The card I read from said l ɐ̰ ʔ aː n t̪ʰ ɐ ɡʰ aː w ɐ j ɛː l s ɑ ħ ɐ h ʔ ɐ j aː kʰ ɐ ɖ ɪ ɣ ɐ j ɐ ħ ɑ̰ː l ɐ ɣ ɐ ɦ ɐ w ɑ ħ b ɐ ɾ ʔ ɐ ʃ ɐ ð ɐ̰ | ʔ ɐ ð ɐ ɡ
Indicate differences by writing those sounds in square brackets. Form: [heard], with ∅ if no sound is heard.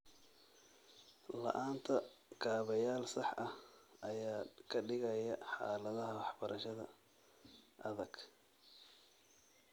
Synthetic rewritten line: l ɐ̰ ʔ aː n t̪ʰ ɐ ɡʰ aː [β] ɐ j [aː] l s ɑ ħ ɐ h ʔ ɐ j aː kʰ ɐ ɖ ɪ ɣ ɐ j ɐ ħ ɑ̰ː l ɐ [ð] ɐ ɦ ɐ w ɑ ħ b ɐ ɾ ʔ ɐ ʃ ɐ ð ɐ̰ | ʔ ɐ ð ɐ ɡ